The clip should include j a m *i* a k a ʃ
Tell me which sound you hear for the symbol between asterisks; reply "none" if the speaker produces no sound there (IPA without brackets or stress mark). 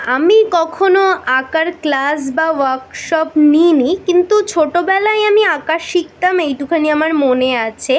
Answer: i